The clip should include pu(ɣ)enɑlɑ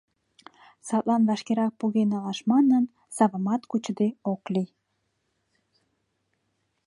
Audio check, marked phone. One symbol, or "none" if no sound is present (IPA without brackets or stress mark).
ɣ